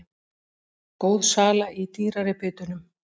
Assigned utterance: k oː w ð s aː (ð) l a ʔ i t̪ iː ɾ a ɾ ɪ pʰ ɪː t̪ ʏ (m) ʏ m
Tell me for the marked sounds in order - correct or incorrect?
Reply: incorrect, incorrect

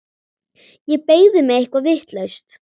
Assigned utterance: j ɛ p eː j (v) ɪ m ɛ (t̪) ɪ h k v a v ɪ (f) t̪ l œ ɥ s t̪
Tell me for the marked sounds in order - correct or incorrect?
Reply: incorrect, incorrect, incorrect

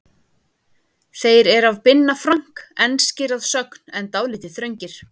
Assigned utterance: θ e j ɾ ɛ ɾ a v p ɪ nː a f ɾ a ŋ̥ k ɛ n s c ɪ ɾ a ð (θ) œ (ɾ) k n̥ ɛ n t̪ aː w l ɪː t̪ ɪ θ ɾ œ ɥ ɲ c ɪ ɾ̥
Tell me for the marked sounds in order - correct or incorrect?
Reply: incorrect, incorrect

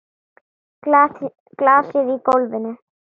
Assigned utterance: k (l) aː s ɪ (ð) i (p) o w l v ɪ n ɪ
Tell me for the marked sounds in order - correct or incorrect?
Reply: correct, correct, incorrect

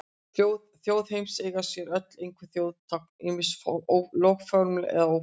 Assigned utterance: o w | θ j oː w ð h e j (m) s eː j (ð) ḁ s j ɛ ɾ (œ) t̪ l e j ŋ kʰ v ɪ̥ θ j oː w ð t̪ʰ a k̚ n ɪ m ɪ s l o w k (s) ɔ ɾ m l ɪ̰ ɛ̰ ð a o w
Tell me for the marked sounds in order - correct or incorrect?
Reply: correct, incorrect, correct, incorrect

